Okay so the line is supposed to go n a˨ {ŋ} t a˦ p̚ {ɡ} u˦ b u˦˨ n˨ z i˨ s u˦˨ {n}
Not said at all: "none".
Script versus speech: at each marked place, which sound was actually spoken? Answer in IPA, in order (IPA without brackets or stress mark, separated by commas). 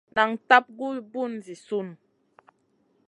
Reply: ŋ, ɡ, n